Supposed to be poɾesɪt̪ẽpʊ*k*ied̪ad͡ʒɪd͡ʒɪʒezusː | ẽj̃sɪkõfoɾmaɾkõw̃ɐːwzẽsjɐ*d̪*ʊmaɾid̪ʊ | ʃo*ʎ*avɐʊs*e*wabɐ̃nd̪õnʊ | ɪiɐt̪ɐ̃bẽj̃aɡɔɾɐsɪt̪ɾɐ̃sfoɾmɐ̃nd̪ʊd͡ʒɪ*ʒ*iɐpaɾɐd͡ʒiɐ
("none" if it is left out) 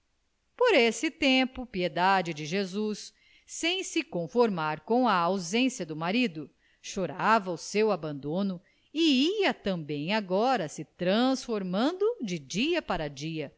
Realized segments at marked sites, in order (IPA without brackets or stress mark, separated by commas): p, d̪, ɾ, e, d͡ʒ